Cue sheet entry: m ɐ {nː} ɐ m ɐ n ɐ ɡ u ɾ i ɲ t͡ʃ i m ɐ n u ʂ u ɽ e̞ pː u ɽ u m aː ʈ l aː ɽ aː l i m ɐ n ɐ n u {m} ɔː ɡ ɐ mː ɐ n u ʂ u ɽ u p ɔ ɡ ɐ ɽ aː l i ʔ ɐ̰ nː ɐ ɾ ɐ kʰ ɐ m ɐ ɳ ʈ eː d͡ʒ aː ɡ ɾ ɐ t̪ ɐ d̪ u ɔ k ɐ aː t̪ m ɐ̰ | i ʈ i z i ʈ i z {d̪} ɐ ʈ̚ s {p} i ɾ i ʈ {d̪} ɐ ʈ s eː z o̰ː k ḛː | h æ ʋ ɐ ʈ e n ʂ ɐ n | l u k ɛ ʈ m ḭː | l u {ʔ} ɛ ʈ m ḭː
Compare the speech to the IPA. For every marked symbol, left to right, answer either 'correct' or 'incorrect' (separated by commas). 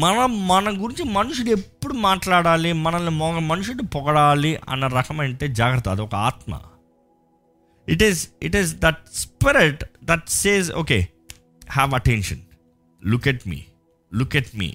incorrect, correct, correct, correct, correct, incorrect